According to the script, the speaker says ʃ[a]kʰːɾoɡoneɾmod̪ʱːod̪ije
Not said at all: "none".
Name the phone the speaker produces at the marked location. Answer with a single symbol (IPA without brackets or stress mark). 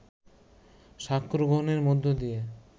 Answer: a